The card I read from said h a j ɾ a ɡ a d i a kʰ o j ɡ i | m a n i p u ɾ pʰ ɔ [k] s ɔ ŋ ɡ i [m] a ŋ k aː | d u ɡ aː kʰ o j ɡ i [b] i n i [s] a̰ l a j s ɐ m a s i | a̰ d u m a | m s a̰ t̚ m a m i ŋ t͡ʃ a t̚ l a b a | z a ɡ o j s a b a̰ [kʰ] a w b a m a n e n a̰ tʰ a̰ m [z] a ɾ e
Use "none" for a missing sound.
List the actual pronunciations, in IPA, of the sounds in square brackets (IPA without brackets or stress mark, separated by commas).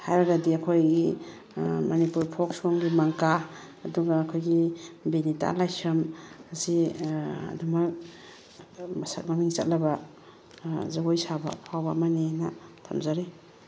k, m, b, t, pʰ, z